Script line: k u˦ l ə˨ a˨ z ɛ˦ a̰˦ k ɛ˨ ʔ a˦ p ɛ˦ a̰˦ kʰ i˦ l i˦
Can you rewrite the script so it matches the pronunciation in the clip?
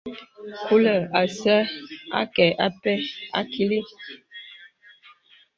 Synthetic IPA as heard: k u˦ l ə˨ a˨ s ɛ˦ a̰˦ k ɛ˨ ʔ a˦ p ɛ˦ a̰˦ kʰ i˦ l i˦